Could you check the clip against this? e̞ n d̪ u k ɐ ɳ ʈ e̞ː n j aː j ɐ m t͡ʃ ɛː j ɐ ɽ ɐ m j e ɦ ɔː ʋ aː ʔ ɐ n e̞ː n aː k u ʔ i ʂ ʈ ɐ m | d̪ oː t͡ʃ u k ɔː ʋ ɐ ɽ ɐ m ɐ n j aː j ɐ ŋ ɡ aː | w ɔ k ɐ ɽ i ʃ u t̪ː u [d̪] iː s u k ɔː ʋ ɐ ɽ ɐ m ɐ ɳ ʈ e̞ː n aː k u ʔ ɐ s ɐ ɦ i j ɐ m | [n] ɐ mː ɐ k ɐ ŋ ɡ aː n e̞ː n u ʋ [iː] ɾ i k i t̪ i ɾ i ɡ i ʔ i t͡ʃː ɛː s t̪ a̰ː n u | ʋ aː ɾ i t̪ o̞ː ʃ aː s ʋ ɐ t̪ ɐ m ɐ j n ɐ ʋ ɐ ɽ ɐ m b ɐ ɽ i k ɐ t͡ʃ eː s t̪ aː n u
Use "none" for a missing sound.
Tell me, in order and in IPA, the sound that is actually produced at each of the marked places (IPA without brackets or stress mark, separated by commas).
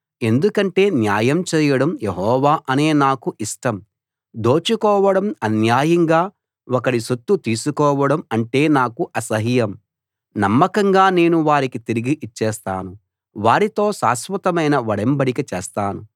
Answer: t̪, n, aː